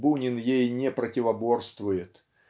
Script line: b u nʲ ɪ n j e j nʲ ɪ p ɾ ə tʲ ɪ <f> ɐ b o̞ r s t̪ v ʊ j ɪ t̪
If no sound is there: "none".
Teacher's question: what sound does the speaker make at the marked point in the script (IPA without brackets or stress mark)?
v